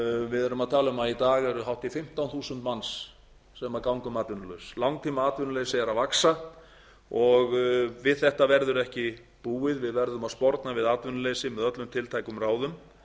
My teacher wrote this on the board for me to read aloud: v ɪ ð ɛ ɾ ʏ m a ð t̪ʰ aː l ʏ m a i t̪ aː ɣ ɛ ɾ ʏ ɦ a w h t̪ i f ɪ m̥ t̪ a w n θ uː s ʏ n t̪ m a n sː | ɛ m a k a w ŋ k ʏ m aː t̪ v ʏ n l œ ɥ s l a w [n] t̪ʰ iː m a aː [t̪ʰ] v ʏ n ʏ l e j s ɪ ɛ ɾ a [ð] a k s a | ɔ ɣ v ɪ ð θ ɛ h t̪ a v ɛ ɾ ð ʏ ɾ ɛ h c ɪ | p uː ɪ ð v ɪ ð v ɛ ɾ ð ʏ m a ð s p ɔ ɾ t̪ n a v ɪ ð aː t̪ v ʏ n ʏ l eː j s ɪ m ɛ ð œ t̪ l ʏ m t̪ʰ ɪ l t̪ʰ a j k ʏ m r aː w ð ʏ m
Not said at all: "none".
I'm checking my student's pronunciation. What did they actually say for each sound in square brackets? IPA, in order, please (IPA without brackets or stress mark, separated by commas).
ŋ, t̪, v